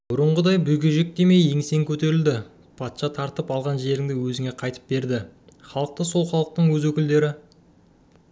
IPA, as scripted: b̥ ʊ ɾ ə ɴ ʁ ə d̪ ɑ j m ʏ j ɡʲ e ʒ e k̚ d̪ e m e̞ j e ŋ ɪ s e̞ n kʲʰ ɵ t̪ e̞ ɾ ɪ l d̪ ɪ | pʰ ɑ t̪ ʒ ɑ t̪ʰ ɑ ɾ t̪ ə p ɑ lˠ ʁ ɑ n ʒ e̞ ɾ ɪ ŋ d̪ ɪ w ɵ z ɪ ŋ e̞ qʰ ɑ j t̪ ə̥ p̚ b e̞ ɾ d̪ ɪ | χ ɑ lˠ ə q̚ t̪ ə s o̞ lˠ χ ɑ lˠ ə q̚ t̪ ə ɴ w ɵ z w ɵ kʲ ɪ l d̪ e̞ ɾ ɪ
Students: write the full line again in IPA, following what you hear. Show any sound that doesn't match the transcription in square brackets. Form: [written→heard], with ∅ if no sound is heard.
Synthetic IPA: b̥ ʊ ɾ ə ɴ ʁ ə d̪ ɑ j [m→b] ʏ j ɡʲ e ʒ e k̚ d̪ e m e̞ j e ŋ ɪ s e̞ [n→ŋ] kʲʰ ɵ t̪ e̞ ɾ ɪ l d̪ ɪ | pʰ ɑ t̪ [ʒ→ʃ] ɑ t̪ʰ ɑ ɾ t̪ ə p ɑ lˠ ʁ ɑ n ʒ e̞ ɾ ɪ ŋ d̪ ɪ w ɵ z ɪ ŋ e̞ qʰ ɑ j t̪ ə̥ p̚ b e̞ ɾ d̪ ɪ | χ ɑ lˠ ə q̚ t̪ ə s o̞ lˠ χ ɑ lˠ ə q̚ t̪ ə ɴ w ɵ z w ɵ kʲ ɪ l d̪ e̞ ɾ ɪ

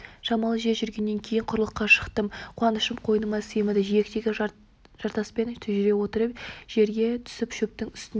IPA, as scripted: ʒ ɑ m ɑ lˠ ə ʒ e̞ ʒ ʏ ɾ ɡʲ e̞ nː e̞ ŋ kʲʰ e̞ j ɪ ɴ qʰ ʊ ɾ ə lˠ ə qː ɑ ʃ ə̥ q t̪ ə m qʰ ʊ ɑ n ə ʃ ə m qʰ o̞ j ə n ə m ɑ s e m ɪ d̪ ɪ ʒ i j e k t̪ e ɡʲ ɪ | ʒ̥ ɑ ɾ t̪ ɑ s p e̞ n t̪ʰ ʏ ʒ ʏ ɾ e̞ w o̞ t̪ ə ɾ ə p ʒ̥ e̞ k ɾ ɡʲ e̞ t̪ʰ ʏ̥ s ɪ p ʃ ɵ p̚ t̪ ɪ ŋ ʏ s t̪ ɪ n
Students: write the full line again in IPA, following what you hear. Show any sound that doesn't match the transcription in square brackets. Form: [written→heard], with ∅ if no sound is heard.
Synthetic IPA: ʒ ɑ m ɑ lˠ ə ʒ e̞ ʒ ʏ ɾ ɡʲ e̞ nː e̞ ŋ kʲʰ e̞ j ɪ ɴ qʰ ʊ ɾ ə lˠ ə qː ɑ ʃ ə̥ q t̪ ə m qʰ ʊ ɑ n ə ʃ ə m qʰ o̞ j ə n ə m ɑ s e m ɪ d̪ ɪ ʒ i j e k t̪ e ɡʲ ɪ | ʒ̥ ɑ ɾ t̪ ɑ s p e̞ n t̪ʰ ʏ ʒ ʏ ɾ e̞ w o̞ t̪ ə ɾ ə p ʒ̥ e̞ [k→∅] ɾ ɡʲ e̞ t̪ʰ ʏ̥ s ɪ p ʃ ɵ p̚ t̪ ɪ ŋ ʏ s t̪ ɪ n

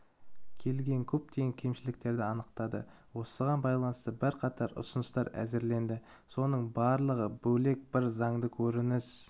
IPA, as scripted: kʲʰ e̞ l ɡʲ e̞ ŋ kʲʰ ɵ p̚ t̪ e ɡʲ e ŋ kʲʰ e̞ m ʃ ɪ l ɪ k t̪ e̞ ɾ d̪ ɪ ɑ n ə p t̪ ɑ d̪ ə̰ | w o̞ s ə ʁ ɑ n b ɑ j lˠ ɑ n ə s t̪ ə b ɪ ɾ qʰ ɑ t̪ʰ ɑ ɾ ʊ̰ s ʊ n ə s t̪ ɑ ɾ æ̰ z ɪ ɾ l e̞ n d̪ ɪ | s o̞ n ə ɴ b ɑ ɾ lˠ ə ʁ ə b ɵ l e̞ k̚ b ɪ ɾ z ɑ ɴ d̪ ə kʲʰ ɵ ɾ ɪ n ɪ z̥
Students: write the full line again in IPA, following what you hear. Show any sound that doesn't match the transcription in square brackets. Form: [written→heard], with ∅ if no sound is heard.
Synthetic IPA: kʲʰ e̞ l ɡʲ e̞ ŋ kʲʰ ɵ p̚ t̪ e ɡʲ e ŋ kʲʰ e̞ m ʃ ɪ l ɪ k t̪ e̞ ɾ d̪ ɪ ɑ n ə [p→q] t̪ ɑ d̪ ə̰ | w o̞ s ə ʁ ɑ n b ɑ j lˠ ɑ n ə s t̪ ə b ɪ ɾ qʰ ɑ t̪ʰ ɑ ɾ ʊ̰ s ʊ n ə s t̪ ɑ ɾ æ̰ z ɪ ɾ l e̞ n d̪ ɪ | s o̞ n ə ɴ b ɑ ɾ lˠ ə ʁ ə b ɵ l e̞ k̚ b ɪ ɾ z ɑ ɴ d̪ ə kʲʰ ɵ ɾ ɪ n ɪ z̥

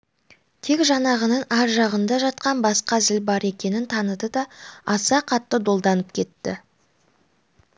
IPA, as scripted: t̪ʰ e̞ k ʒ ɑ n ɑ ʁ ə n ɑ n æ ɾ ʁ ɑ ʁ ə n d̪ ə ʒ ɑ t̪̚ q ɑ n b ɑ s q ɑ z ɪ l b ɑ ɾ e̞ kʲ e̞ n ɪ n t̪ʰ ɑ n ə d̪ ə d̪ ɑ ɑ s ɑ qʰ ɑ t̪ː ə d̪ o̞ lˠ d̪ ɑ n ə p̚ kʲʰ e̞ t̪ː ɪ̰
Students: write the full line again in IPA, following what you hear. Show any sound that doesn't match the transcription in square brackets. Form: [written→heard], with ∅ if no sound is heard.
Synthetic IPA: t̪ʰ e̞ k ʒ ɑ n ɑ ʁ ə n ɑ n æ ɾ [ʁ→ʒ] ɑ ʁ ə n d̪ [ə→ɑ] ʒ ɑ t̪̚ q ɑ n b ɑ s q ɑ z ɪ l b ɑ ɾ e̞ kʲ e̞ n ɪ n t̪ʰ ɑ n ə d̪ ə d̪ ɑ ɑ s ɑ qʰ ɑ t̪ː ə d̪ o̞ lˠ d̪ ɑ n ə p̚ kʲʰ e̞ t̪ː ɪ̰

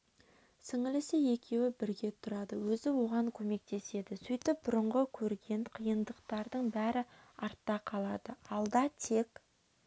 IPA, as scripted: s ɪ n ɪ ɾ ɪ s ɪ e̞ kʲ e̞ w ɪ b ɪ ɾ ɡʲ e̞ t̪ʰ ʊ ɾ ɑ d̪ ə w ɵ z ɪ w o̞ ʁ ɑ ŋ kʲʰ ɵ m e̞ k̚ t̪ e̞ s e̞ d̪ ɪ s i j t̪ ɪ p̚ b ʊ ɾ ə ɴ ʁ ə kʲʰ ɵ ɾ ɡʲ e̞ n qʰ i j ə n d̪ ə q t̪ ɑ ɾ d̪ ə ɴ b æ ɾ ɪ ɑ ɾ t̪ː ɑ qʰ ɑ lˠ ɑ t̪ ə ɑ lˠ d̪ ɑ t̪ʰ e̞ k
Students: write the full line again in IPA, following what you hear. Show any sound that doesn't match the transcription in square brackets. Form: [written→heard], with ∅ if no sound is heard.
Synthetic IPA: s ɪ [n→ŋ] ɪ [ɾ→l] ɪ s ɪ e̞ kʲ e̞ w ɪ b ɪ ɾ ɡʲ e̞ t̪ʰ ʊ ɾ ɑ d̪ ə w ɵ z ɪ w o̞ ʁ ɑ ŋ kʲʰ ɵ m e̞ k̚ t̪ e̞ s e̞ d̪ ɪ s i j t̪ ɪ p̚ b ʊ ɾ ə ɴ ʁ ə kʲʰ ɵ ɾ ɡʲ e̞ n qʰ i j ə n d̪ ə q t̪ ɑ ɾ d̪ ə ɴ b æ ɾ ɪ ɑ ɾ t̪ː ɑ qʰ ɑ lˠ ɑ [t̪→d̪] ə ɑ lˠ d̪ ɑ t̪ʰ e̞ k

